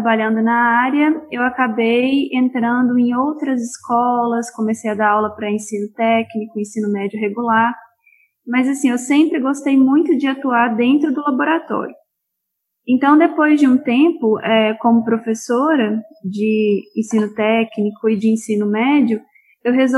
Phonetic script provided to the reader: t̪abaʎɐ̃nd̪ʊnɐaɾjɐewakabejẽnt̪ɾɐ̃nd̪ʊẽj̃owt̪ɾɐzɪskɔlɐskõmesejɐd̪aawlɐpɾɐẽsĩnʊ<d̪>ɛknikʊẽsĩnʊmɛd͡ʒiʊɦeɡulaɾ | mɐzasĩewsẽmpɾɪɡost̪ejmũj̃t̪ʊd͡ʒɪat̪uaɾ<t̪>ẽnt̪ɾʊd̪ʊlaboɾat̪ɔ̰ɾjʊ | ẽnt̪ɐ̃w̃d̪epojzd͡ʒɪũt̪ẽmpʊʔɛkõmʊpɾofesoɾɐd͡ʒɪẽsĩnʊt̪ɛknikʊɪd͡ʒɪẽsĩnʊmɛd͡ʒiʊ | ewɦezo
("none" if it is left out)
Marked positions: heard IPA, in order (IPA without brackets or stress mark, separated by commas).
t̪, d̪